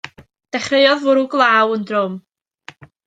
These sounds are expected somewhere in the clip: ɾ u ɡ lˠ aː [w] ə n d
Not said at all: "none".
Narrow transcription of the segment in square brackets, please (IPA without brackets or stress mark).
w